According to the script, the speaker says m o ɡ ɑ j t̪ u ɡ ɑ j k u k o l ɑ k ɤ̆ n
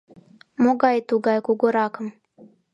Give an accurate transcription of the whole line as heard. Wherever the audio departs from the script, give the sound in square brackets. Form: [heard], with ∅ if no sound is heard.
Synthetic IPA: m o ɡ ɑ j t̪ u ɡ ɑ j k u [ɡ] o [ɾ] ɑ k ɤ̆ [m]